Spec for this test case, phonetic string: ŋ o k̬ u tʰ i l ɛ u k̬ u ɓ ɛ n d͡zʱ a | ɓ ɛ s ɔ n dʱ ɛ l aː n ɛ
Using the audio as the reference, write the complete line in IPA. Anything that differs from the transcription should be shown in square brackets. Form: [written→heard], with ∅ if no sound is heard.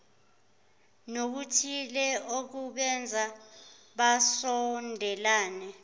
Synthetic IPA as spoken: [ŋ→n] o k̬ u tʰ i l ɛ [u→o] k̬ u ɓ ɛ n d͡zʱ a | ɓ [ɛ→a] s ɔ n dʱ ɛ l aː n ɛ